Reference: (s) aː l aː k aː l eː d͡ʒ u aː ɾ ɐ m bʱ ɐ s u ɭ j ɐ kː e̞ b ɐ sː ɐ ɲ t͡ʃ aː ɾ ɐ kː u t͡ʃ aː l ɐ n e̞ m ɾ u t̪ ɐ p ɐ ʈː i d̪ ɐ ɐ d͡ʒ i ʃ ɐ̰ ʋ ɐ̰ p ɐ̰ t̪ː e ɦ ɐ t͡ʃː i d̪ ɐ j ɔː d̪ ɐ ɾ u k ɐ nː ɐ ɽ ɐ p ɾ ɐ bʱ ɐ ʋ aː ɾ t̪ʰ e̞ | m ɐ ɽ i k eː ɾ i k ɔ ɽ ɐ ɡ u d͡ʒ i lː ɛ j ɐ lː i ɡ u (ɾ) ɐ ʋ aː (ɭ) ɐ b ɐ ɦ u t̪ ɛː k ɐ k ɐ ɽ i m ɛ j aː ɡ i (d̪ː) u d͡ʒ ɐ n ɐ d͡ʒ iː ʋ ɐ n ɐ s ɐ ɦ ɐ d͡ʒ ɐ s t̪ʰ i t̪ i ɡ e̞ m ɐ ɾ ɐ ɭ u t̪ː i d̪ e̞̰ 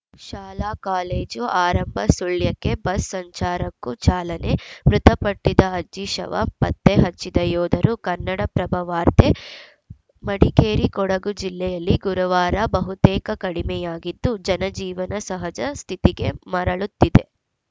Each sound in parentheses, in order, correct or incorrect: incorrect, correct, incorrect, correct

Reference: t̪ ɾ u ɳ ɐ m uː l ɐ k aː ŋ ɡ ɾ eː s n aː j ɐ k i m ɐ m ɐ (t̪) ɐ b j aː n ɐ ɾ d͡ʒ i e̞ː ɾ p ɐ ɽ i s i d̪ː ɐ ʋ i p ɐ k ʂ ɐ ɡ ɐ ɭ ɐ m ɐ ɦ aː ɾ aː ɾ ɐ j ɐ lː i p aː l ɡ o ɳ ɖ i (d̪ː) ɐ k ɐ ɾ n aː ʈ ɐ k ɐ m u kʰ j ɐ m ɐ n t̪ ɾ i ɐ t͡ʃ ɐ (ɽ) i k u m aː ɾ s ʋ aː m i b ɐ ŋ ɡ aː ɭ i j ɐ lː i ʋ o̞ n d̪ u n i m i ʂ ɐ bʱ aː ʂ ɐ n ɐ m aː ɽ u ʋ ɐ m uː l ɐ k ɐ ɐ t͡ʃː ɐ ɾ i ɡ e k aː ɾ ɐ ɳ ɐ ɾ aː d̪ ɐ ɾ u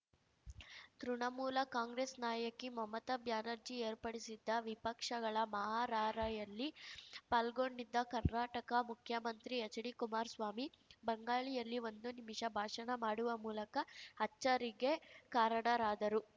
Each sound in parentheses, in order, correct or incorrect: correct, correct, correct

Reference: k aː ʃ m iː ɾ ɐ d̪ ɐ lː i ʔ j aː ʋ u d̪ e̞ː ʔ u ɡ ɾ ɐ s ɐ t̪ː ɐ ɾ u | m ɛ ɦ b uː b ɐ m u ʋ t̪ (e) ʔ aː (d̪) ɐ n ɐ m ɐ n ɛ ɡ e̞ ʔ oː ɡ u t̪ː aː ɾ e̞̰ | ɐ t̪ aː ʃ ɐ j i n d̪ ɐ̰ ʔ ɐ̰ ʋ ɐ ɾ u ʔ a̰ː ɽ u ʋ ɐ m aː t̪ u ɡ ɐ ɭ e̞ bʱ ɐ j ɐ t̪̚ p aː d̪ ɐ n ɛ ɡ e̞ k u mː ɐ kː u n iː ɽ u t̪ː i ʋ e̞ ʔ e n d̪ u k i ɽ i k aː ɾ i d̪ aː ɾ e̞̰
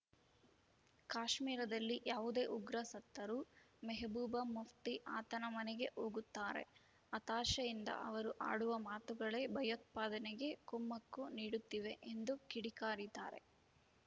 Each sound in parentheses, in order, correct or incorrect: incorrect, incorrect

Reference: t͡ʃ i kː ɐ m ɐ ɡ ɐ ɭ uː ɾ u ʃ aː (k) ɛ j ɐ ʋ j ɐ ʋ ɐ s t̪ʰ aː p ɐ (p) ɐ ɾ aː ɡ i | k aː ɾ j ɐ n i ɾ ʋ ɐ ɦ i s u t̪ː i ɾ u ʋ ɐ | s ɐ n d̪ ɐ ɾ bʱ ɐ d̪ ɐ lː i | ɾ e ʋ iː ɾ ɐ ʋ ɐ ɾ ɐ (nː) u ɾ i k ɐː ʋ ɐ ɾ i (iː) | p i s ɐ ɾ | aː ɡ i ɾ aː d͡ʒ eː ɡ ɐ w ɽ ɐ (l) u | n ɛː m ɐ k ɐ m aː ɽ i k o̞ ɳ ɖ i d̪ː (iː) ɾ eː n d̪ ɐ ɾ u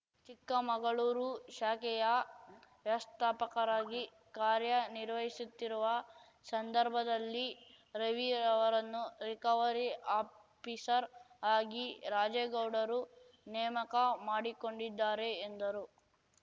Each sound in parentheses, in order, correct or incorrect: correct, incorrect, correct, incorrect, incorrect, incorrect

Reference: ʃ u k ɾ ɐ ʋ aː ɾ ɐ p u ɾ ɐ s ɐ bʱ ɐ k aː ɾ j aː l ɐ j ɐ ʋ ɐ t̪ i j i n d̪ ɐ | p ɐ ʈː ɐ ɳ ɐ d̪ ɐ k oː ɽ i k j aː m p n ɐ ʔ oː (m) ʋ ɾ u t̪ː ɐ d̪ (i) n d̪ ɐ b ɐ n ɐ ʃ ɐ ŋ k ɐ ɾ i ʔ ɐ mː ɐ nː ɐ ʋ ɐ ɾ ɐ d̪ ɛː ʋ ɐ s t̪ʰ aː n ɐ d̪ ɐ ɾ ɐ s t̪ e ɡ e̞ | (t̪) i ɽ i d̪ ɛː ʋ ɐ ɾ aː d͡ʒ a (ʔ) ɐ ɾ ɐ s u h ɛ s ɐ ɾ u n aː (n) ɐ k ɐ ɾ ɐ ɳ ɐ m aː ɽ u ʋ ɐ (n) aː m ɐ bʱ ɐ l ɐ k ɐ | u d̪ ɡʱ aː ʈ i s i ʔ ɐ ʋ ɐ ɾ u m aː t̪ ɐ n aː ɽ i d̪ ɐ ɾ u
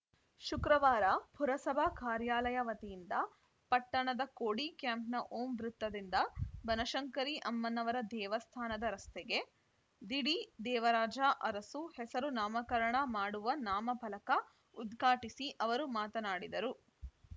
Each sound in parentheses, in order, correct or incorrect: correct, correct, incorrect, correct, incorrect, correct

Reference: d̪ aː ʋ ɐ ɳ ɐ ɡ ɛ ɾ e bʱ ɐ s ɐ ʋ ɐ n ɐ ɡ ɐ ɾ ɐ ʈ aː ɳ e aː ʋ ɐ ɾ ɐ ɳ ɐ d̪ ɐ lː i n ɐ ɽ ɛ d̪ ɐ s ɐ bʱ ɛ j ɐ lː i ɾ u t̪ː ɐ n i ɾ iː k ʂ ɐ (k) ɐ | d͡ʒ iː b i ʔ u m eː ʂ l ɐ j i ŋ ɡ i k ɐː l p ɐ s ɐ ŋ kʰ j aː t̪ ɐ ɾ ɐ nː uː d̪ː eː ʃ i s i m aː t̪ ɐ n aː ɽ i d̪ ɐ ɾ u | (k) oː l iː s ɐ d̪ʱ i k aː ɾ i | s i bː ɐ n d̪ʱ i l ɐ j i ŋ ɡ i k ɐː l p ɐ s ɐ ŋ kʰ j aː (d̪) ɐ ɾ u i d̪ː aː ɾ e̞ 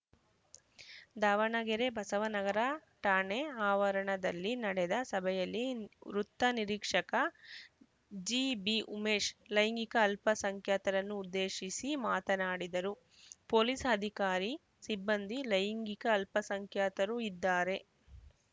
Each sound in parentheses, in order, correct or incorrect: correct, incorrect, incorrect

